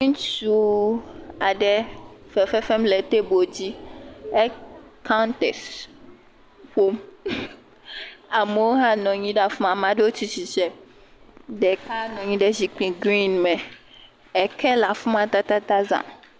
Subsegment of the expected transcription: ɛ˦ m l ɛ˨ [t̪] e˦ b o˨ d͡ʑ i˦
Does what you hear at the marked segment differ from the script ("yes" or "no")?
no